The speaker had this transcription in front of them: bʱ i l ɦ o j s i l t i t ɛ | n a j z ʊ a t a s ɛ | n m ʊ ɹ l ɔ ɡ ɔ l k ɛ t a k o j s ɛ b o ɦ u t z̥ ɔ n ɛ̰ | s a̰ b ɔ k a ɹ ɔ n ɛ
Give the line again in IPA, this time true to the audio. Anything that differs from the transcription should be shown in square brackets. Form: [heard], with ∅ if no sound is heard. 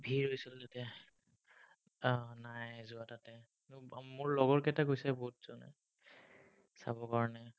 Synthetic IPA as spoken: bʱ i [ɹ] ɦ o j s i l t [a] t ɛ | n a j z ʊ a t a [t] ɛ | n m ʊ ɹ l ɔ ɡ ɔ [ɹ] k ɛ t a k o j s ɛ b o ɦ u t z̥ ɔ n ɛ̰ | s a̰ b ɔ k a ɹ ɔ n ɛ